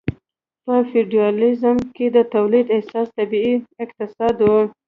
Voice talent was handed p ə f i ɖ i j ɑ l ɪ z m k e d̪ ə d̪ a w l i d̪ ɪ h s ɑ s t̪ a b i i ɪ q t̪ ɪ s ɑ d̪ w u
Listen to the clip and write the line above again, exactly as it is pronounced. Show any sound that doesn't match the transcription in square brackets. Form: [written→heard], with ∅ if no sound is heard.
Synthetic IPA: p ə f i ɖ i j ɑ l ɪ z m k e d̪ ə [d̪→t̪] a w l i d̪ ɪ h s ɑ s t̪ a b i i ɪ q t̪ ɪ s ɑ d̪ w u